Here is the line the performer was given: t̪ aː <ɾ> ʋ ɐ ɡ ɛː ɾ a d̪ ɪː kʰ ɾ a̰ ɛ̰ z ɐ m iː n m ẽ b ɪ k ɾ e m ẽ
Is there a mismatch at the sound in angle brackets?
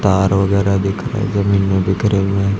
no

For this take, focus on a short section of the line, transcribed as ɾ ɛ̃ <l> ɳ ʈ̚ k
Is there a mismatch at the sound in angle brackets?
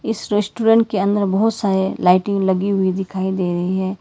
yes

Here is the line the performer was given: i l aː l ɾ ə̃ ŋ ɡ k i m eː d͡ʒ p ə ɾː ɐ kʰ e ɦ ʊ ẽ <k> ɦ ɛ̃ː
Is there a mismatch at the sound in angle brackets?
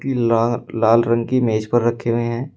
yes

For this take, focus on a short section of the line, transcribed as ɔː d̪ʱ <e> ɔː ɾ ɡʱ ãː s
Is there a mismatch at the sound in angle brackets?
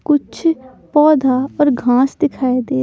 yes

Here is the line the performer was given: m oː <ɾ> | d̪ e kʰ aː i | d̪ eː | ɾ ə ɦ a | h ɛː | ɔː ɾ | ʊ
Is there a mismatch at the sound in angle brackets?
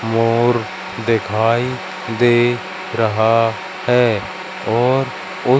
no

